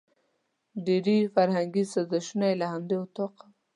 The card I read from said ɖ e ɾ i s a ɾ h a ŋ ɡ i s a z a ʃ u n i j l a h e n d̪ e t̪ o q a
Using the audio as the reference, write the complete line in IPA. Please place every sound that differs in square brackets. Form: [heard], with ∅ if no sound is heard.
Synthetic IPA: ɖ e ɾ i [f] a ɾ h a ŋ ɡ i s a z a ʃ u n [a] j l a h [a] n d̪ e t̪ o q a